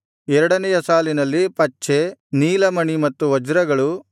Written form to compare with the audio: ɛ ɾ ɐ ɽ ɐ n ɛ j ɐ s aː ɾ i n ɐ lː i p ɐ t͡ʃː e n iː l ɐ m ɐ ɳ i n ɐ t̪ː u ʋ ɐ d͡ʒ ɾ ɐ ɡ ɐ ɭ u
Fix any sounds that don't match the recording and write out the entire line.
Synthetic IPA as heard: ɛ ɾ ɐ ɽ ɐ n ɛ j ɐ s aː l i n ɐ lː i p ɐ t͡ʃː e n iː l ɐ m ɐ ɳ i m ɐ t̪ː u ʋ ɐ d͡ʒ ɾ ɐ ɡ ɐ ɭ u